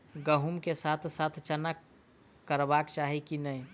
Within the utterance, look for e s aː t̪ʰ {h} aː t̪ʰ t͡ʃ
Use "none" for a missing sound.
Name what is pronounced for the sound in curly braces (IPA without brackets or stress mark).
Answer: s